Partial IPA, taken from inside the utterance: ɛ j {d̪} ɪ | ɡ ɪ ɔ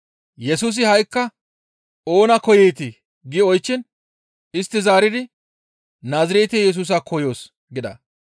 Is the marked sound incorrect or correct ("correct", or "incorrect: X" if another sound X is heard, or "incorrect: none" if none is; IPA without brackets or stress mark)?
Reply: incorrect: t̪